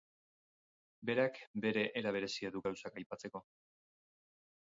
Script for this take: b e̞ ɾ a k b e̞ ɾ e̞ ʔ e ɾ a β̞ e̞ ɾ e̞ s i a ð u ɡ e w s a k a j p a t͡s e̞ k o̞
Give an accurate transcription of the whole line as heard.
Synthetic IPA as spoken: b e̞ ɾ a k b e̞ ɾ e̞ ʔ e ɾ a β̞ e̞ ɾ e̞ s i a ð u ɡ a w s a k a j p a t͡s e̞ k o̞